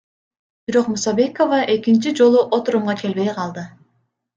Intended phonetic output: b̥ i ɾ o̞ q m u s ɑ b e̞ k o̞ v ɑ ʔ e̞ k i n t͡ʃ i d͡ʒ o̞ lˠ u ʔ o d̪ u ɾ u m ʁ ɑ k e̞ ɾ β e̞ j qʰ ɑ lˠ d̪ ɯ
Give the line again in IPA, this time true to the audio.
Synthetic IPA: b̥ i ɾ o̞ q m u s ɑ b e̞ k o̞ v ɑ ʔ e̞ k i n t͡ʃ i d͡ʒ o̞ lˠ u ʔ o t̪ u ɾ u m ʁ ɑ k e̞ l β e̞ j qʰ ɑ lˠ d̪ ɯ